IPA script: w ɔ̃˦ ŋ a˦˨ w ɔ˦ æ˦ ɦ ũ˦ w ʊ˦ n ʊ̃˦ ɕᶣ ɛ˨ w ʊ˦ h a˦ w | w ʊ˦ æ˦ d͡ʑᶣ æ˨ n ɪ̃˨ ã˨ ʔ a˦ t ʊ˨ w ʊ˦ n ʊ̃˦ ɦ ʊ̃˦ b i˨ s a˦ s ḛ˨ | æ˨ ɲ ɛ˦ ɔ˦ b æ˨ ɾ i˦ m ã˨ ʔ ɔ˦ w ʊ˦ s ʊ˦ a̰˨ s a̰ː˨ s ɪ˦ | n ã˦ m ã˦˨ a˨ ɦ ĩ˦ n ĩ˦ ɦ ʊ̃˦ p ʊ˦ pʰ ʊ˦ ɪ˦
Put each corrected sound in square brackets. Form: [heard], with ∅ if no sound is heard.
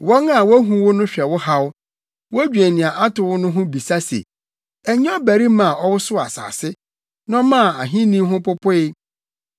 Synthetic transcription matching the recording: w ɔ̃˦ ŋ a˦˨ w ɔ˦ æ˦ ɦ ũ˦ w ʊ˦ n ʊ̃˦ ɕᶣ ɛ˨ w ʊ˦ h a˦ w | w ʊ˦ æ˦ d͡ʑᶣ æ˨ n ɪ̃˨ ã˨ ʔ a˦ t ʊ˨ w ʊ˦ n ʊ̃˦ ɦ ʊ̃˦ b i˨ s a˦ s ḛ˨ | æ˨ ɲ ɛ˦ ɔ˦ b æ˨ ɾ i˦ m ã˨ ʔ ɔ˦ w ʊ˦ s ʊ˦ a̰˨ s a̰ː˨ s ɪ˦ | n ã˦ m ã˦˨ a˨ ɦ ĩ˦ n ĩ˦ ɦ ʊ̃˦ p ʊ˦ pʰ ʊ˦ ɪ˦